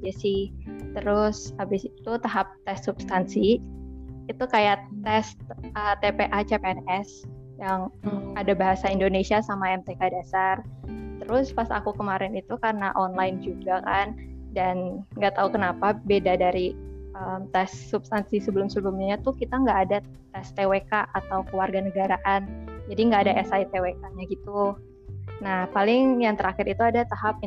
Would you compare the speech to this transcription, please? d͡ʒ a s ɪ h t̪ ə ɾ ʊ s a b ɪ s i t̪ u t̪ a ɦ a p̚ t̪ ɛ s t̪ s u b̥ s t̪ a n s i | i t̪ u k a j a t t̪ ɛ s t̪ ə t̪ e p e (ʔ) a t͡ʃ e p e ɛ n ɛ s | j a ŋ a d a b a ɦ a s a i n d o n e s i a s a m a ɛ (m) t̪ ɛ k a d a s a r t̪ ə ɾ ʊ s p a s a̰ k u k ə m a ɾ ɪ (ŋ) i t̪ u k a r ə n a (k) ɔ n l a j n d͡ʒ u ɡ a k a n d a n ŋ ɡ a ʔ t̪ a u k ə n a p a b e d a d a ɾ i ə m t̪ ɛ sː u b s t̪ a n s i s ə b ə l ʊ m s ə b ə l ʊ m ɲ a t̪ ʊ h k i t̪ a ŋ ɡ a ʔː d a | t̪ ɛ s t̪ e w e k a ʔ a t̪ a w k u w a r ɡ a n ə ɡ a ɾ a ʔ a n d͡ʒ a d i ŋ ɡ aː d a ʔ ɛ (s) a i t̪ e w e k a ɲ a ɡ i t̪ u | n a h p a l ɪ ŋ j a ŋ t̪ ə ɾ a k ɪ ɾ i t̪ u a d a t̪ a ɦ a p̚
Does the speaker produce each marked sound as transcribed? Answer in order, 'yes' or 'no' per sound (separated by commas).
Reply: yes, yes, no, no, yes